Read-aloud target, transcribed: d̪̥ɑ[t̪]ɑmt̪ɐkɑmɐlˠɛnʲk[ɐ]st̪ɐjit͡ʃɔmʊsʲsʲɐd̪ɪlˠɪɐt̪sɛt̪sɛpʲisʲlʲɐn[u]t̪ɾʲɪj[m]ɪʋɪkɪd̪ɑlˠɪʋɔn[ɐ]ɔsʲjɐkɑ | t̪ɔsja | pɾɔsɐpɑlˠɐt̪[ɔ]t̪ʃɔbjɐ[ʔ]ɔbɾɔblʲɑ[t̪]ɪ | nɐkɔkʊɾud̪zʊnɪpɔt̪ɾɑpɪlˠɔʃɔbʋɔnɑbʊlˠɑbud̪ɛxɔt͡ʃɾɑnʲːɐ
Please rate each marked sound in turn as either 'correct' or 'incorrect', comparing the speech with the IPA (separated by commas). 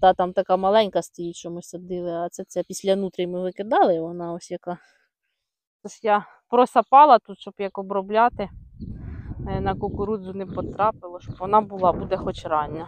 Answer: correct, correct, correct, correct, incorrect, incorrect, incorrect, correct